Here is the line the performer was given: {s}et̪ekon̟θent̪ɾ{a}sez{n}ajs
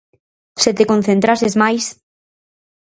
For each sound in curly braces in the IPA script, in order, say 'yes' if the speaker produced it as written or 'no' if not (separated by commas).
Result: yes, yes, no